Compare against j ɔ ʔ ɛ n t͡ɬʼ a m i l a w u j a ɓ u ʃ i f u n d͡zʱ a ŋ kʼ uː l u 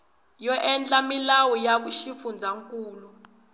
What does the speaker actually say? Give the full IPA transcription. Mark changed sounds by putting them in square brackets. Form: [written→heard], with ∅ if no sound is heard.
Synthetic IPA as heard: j ɔ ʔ ɛ n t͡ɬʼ a m i l a w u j a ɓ u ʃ i f u n d͡zʱ a ŋ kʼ uː l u